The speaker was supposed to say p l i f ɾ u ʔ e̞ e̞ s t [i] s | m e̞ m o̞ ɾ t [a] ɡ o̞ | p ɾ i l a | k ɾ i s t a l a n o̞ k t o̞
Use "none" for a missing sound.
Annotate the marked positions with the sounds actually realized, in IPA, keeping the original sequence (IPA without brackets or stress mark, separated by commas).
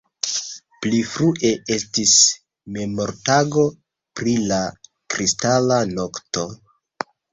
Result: i, a